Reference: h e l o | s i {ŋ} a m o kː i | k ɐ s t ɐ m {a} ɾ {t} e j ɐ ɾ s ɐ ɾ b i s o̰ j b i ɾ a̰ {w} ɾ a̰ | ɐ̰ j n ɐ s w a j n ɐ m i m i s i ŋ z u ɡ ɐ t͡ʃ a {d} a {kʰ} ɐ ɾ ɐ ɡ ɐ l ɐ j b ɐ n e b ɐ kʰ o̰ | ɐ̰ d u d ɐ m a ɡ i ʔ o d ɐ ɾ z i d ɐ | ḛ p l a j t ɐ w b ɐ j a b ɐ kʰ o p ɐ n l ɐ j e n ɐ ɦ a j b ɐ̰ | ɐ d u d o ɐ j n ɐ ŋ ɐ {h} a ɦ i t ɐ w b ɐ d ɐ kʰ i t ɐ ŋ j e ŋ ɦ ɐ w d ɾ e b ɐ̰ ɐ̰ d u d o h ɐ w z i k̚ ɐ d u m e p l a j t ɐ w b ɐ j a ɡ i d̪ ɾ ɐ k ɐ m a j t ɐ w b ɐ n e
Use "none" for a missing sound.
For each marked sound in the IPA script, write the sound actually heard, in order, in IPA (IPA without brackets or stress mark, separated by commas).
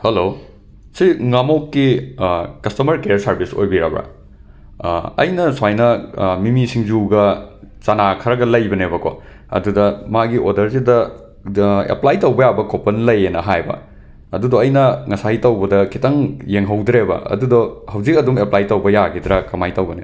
ŋ, ɐ, k, b, n, kʰ, s